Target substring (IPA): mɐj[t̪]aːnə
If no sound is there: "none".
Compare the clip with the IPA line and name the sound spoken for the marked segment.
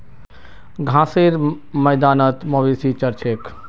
d̪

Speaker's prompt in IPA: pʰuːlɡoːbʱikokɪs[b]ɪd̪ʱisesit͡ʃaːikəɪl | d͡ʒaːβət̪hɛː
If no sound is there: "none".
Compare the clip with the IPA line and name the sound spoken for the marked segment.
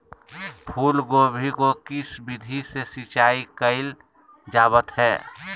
b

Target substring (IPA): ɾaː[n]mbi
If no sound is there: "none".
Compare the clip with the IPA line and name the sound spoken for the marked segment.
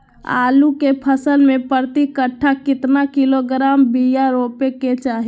none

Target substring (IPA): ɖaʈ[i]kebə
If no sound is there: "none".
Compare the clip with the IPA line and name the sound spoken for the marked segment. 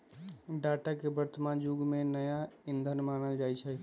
a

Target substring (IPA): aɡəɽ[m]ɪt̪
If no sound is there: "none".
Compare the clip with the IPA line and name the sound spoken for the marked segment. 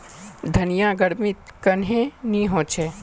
m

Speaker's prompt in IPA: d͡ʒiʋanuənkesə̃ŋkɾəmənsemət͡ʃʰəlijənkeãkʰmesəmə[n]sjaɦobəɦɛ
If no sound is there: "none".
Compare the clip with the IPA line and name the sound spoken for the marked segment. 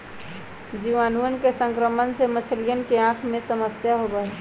none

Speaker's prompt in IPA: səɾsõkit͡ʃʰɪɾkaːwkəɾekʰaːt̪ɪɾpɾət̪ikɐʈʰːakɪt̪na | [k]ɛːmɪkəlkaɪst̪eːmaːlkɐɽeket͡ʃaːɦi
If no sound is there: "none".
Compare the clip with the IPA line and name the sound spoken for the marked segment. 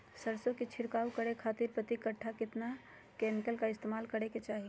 k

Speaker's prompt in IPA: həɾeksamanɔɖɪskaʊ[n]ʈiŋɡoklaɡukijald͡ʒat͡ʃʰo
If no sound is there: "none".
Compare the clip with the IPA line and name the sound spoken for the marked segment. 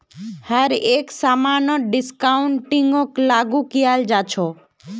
ɳ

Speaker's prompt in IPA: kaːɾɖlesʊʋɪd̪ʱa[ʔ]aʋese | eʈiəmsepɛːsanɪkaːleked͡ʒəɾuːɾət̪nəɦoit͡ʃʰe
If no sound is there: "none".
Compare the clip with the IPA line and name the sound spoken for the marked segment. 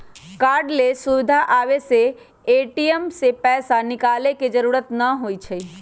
ʔ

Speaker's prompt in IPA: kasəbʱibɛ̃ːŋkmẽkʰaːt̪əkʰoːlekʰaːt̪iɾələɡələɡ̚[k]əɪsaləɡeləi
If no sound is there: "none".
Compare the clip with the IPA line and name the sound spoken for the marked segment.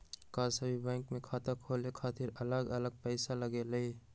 p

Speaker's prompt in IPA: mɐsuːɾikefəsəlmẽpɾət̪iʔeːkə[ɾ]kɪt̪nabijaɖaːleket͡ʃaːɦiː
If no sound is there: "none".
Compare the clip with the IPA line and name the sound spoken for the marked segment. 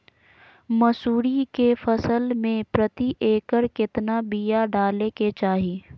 ɾ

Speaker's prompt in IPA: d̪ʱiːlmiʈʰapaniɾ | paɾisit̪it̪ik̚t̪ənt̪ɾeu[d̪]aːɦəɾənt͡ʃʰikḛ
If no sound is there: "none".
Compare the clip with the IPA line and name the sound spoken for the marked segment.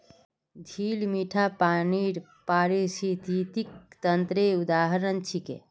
d̪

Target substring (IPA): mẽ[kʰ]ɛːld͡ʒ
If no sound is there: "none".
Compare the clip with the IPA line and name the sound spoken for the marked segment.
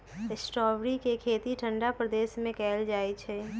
k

